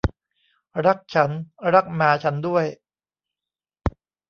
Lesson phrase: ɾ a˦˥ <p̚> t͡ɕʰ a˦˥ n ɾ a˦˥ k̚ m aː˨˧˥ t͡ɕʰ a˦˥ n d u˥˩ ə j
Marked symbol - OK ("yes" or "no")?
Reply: no